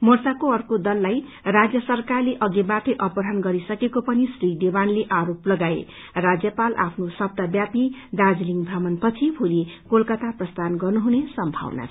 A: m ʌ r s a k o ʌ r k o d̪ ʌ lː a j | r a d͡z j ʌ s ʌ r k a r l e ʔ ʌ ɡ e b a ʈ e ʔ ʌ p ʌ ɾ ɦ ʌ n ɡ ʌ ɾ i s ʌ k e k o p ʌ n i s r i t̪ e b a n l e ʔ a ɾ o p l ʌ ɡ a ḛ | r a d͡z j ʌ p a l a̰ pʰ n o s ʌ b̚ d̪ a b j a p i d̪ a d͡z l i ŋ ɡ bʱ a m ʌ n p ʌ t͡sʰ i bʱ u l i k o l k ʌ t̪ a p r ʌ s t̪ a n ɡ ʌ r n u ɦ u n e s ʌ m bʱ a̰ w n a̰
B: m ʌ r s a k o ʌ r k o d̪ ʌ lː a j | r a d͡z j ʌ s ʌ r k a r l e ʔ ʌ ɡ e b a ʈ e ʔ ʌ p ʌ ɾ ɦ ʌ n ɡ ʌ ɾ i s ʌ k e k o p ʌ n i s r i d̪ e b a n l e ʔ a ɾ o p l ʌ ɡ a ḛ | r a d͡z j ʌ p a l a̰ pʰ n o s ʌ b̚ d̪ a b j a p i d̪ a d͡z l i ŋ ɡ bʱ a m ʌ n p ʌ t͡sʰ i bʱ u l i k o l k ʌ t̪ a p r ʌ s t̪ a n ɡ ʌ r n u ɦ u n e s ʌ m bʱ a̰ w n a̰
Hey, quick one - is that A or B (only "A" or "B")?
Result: B